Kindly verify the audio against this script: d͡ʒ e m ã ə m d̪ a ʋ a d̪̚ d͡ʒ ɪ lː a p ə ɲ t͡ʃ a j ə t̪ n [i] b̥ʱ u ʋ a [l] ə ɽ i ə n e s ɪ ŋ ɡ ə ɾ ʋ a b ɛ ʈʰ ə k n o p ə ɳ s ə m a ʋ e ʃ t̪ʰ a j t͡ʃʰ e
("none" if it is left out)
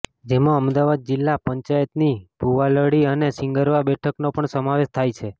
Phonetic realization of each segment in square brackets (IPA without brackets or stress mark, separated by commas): i, l